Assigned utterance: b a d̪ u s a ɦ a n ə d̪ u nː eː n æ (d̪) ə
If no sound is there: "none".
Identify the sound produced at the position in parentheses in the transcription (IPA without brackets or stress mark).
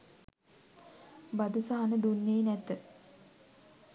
t̪